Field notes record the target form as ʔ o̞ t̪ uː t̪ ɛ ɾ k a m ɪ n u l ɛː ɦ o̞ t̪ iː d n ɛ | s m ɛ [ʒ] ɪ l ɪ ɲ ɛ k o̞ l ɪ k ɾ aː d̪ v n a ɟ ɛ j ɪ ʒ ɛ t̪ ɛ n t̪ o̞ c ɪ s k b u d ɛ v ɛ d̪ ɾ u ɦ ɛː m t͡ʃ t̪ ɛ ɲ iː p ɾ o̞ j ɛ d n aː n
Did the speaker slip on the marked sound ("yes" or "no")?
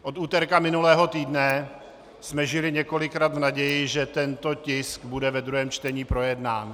no